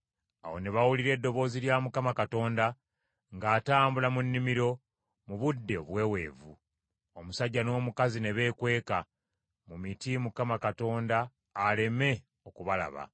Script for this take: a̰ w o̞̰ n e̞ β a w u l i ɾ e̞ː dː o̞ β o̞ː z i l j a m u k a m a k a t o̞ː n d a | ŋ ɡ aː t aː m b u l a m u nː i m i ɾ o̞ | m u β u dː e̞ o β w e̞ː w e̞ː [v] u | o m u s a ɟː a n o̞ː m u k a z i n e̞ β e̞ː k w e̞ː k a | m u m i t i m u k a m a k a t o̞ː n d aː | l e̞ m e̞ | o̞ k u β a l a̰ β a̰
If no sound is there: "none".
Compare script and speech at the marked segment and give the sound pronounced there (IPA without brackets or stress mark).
v